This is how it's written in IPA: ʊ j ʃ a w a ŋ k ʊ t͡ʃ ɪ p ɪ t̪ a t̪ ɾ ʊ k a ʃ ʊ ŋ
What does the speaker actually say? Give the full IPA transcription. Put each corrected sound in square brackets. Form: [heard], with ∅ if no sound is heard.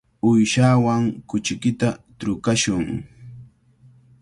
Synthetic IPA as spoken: ʊ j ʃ a w a ŋ k ʊ t͡ʃ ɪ [k] ɪ t̪ a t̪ ɾ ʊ k a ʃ ʊ ŋ